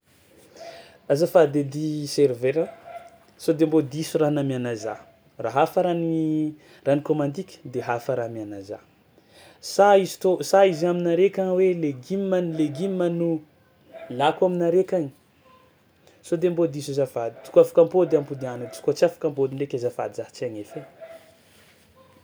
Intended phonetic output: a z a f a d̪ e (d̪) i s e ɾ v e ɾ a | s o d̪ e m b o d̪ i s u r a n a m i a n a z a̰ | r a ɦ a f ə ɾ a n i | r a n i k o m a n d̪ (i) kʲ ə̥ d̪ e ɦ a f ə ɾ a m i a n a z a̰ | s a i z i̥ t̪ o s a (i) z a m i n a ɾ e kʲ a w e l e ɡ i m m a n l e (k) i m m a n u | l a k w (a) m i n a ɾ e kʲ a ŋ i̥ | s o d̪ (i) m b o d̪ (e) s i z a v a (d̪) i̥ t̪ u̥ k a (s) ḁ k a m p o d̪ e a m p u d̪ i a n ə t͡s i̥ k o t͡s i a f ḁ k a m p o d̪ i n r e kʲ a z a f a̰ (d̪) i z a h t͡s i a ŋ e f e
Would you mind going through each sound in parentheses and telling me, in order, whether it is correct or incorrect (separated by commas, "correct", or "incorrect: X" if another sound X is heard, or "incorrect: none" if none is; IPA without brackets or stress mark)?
correct, correct, correct, incorrect: ɡ, correct, incorrect: e, incorrect: i, correct, incorrect: f, correct